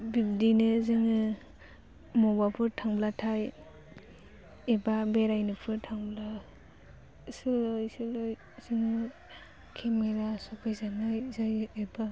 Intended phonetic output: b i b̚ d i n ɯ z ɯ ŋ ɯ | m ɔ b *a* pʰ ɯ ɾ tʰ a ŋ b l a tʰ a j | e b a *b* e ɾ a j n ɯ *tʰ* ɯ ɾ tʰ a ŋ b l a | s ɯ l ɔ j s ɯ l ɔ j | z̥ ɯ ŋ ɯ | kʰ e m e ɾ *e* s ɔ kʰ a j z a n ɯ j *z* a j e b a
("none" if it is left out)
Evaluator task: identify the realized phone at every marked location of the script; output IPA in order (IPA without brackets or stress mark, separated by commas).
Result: a, b, pʰ, a, z